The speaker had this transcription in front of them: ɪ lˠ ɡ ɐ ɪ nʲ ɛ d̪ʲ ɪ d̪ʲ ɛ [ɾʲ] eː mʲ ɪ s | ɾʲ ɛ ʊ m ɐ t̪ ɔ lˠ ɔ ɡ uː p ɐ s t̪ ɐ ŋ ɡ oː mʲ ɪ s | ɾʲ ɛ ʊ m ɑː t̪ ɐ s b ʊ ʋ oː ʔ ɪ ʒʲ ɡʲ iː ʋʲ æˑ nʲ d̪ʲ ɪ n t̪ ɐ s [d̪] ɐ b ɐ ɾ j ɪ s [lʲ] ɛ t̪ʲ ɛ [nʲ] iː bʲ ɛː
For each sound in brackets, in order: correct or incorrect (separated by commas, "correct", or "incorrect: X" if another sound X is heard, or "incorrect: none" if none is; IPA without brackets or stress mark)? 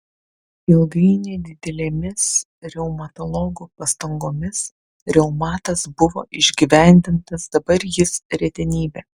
incorrect: lʲ, correct, incorrect: ɾʲ, correct